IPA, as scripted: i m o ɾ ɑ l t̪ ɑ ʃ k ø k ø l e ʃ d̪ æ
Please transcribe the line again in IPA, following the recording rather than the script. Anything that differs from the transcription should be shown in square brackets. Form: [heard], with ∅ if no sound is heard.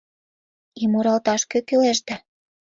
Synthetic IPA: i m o ɾ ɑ l t̪ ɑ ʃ k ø k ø l e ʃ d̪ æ